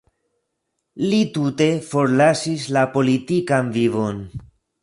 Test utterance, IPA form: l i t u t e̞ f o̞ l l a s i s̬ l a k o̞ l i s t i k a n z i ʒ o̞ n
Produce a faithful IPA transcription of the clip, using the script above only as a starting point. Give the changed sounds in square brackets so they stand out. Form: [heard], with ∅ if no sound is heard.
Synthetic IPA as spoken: l i t u t e̞ f o̞ [ɾ] l a s i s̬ l a [p] o̞ l i [∅] t i k a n [v] i [v] o̞ n